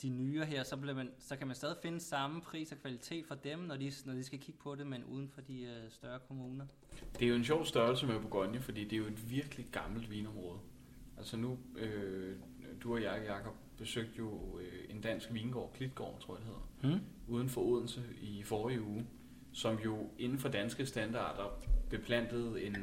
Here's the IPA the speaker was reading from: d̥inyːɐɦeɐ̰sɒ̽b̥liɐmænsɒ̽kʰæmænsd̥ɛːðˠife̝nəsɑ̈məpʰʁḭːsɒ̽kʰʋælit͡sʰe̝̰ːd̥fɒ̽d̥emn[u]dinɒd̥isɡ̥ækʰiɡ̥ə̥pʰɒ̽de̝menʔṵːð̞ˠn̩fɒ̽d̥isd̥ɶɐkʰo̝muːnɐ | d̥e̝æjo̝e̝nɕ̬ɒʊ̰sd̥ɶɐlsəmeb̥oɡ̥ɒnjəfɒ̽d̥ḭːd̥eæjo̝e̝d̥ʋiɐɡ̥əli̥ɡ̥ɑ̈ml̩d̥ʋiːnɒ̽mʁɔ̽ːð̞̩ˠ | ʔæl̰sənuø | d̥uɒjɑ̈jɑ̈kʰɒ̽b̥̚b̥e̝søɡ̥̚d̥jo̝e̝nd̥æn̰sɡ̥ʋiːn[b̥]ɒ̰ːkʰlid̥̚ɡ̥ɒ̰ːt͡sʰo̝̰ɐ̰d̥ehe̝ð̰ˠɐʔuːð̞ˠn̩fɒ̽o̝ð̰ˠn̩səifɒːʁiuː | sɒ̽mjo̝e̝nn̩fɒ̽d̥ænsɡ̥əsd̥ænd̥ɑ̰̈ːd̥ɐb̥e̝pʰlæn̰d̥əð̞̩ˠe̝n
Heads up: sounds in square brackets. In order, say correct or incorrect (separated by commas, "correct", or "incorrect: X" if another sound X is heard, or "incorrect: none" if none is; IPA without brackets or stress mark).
incorrect: ɒ, incorrect: ɡ̥